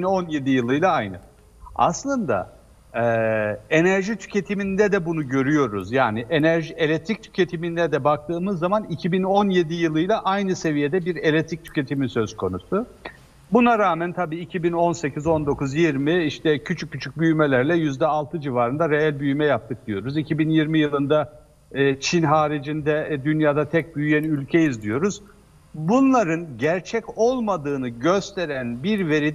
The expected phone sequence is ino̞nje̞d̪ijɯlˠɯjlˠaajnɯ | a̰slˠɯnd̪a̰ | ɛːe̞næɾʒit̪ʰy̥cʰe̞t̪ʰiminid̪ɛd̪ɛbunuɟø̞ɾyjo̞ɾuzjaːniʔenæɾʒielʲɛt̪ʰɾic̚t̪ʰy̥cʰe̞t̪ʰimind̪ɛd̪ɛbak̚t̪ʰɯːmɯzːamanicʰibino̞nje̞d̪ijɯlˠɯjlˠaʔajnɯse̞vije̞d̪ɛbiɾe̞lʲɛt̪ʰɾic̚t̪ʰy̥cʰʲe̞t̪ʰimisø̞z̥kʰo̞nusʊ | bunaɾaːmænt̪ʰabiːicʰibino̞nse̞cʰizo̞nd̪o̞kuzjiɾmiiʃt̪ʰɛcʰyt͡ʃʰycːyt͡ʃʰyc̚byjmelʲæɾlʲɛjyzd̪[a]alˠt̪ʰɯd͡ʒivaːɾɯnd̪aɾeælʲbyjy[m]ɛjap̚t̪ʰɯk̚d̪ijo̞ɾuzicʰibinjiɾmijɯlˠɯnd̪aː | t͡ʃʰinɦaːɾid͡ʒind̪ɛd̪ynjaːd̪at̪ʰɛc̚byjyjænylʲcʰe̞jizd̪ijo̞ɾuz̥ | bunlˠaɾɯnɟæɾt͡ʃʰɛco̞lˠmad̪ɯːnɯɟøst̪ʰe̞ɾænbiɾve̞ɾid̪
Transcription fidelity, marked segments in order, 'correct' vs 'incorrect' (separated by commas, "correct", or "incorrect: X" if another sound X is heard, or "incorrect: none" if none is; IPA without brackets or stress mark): incorrect: ɛ, correct